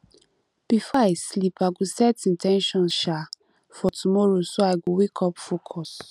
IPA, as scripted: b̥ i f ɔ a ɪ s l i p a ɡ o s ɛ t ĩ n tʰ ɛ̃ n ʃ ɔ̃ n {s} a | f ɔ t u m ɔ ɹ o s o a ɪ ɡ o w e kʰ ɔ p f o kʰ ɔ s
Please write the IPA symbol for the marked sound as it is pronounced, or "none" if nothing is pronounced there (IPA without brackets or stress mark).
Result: ʃ